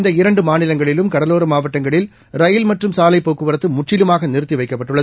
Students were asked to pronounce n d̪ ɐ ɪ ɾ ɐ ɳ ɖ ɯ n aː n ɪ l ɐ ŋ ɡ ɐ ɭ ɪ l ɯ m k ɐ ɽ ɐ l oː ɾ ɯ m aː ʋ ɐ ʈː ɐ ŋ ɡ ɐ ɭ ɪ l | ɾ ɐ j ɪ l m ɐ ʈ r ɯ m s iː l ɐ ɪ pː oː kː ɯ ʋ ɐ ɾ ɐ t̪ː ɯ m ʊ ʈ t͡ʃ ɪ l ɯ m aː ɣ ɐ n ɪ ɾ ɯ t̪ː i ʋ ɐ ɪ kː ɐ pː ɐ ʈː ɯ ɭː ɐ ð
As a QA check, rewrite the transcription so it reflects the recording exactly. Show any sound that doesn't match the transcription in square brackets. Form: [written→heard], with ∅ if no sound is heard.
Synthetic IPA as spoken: n d̪ ɐ ɪ ɾ ɐ ɳ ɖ ɯ [n→m] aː n ɪ l ɐ ŋ ɡ ɐ ɭ ɪ l ɯ m k ɐ ɽ ɐ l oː ɾ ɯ m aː ʋ ɐ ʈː ɐ ŋ ɡ ɐ ɭ ɪ l | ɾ ɐ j ɪ l m ɐ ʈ r ɯ m s [iː→aː] l ɐ ɪ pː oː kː ɯ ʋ ɐ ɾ ɐ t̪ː ɯ m ʊ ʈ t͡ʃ ɪ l ɯ m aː ɣ ɐ n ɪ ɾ ɯ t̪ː i ʋ ɐ ɪ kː ɐ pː ɐ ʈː ɯ ɭː ɐ ð